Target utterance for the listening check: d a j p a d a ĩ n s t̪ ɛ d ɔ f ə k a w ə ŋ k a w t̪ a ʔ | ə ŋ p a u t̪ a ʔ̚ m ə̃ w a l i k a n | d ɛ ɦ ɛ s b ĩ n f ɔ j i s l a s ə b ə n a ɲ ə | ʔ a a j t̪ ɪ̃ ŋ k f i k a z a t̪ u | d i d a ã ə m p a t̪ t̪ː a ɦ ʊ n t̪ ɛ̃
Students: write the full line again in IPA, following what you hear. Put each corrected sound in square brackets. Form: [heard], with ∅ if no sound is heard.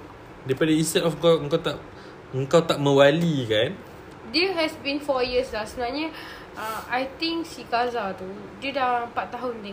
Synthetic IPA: d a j p a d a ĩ n s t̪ ɛ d ɔ f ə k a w ə ŋ k a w t̪ a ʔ | ə ŋ [k] a [w] t̪ a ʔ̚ m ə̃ w a l i k a n | d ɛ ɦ ɛ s b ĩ n f ɔ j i s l a s ə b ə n a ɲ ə | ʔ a a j t̪ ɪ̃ ŋ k [s] i k a z a t̪ u | d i d a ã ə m p a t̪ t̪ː a ɦ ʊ n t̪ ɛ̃